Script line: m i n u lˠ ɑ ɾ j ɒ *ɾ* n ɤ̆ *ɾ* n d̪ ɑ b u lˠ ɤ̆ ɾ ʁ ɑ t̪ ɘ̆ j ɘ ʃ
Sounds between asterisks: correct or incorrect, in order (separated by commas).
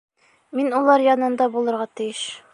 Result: incorrect, incorrect